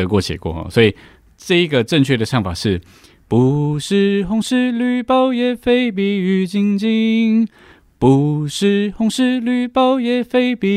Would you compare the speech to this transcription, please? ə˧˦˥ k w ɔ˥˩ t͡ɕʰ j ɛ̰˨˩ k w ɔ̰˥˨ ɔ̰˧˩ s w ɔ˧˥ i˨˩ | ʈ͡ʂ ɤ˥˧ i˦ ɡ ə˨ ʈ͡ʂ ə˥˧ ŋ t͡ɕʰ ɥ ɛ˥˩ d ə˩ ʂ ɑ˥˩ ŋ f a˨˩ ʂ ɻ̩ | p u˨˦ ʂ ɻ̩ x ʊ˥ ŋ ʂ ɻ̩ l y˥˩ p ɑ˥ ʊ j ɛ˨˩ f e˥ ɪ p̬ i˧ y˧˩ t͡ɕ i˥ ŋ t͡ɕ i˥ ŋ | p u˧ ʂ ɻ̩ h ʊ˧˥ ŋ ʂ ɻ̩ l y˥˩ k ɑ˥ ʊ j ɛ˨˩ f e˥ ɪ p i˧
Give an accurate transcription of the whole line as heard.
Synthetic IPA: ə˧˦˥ k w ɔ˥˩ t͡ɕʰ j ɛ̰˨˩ k w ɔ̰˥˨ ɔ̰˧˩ s w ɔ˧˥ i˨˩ | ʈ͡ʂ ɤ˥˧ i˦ ɡ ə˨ ʈ͡ʂ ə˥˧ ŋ t͡ɕʰ ɥ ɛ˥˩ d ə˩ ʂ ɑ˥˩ ŋ f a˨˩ ʂ ɻ̩ | p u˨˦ ʂ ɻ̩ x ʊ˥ ŋ ʂ ɻ̩ l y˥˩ p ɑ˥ ʊ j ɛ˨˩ f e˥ ɪ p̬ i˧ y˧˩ t͡ɕ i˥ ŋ t͡ɕ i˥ ŋ | p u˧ ʂ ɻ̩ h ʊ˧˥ ŋ ʂ ɻ̩ l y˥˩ p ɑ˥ ʊ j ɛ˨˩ f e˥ ɪ p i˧